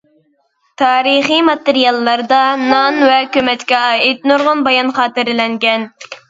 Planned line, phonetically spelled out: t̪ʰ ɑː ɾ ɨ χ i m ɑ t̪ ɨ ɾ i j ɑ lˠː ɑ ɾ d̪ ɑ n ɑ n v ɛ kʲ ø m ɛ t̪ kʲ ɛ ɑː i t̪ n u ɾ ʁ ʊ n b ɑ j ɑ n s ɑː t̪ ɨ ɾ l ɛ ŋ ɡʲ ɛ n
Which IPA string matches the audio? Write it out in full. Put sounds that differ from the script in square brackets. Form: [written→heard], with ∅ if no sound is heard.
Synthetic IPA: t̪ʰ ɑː ɾ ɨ χ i m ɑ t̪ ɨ ɾ i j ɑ lˠː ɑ ɾ d̪ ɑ n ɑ n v ɛ kʲ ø m ɛ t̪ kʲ ɛ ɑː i t̪ n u ɾ ʁ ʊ n b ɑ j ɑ n [s→χ] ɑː t̪ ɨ ɾ l ɛ ŋ ɡʲ ɛ n